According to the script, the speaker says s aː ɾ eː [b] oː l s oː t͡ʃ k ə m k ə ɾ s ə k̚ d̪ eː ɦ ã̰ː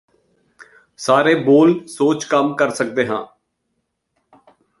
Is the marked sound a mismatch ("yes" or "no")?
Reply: no